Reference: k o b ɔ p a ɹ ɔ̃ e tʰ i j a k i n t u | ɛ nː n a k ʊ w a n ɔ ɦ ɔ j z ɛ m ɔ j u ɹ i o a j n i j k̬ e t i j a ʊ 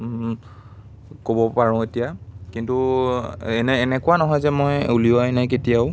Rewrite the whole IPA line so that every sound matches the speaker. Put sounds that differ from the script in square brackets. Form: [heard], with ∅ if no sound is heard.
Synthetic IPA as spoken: k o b ɔ p a ɹ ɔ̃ e [t] i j a k i n t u | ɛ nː n [ɛ] k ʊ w a n ɔ ɦ ɔ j z ɛ m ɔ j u [l] i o a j n [a] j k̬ e t i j a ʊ

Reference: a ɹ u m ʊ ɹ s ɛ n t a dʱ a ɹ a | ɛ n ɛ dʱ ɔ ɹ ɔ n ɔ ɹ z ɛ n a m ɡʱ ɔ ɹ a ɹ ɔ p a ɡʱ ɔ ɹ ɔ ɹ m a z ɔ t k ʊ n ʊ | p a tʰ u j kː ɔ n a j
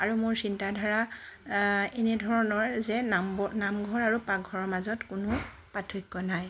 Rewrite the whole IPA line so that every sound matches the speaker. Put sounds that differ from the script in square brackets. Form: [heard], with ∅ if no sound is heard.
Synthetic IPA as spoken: a ɹ u m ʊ ɹ s [i] n t a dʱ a ɹ a | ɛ n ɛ dʱ ɔ ɹ ɔ n ɔ ɹ z ɛ n a m ɡʱ ɔ ɹ a ɹ [u] p a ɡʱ ɔ ɹ ɔ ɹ m a z ɔ t k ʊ n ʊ | p a tʰ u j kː ɔ n a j

